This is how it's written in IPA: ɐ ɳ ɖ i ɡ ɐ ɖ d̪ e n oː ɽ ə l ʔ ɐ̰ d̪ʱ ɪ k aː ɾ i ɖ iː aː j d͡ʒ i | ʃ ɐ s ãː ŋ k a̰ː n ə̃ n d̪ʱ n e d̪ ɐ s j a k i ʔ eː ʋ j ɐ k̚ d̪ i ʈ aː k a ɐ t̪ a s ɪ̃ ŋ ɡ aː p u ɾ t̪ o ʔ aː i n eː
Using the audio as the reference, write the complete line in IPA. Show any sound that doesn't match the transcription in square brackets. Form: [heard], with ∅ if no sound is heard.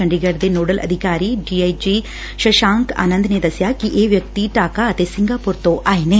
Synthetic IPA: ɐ ɳ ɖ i ɡ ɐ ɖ d̪ e n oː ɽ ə l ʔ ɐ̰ d̪ʱ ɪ k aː ɾ i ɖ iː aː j d͡ʒ i | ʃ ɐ [ʃ] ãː ŋ k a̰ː n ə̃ n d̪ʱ n e d̪ ɐ s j a k i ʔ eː ʋ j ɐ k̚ [t̪] i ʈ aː k a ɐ t̪ [e] s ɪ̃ ŋ ɡ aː p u ɾ t̪ o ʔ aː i n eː

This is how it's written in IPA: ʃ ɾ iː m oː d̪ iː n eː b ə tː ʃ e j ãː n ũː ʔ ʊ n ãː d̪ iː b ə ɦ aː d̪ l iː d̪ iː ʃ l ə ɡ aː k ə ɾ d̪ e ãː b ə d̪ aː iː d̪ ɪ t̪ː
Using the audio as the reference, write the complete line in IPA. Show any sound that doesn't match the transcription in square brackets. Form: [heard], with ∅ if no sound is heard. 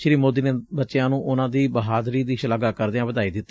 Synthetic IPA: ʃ ɾ iː m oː d̪ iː n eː b ə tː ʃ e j ãː n ũː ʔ ʊ n ãː d̪ iː b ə ɦ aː d̪ [ɾ] iː d̪ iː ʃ l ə ɡ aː k ə ɾ d̪ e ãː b ə d̪ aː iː d̪ ɪ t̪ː

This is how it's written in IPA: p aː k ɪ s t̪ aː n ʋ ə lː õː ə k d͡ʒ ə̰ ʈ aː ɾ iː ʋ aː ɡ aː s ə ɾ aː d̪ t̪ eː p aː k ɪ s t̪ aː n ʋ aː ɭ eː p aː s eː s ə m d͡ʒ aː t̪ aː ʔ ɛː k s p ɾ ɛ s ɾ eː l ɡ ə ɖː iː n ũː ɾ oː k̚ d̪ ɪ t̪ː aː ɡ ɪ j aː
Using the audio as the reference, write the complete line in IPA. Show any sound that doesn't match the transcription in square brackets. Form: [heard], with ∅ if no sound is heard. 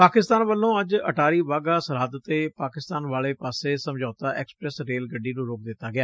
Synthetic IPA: p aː k ɪ s t̪ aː n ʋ ə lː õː ə [∅] d͡ʒ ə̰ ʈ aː ɾ iː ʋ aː ɡ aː s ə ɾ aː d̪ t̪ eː p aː k ɪ s t̪ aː n ʋ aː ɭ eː p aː s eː s ə m d͡ʒ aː t̪ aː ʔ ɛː k s p ɾ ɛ s ɾ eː l ɡ ə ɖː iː n ũː ɾ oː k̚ d̪ ɪ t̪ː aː ɡ ɪ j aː

